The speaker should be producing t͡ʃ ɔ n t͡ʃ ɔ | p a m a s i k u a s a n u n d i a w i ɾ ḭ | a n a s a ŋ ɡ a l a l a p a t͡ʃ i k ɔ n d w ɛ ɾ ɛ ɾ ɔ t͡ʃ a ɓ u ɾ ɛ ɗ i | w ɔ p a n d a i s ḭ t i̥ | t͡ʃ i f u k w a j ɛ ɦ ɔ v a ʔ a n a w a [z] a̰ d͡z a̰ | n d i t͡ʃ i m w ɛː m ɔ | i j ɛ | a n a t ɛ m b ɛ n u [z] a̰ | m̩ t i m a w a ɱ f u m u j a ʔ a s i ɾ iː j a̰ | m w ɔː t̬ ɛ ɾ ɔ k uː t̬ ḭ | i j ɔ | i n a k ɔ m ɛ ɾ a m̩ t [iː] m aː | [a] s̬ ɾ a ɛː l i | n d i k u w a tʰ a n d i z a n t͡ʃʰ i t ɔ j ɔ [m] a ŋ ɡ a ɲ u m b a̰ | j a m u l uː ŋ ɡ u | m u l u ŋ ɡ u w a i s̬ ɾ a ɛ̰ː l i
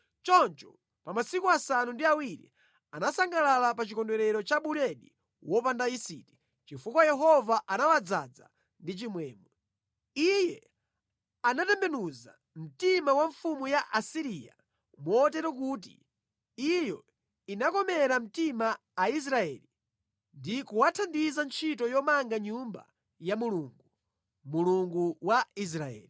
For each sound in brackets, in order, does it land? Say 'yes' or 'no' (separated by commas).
no, yes, no, no, yes